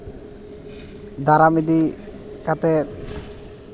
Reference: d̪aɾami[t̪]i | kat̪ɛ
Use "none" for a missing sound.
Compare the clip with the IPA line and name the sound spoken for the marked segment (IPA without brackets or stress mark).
d̪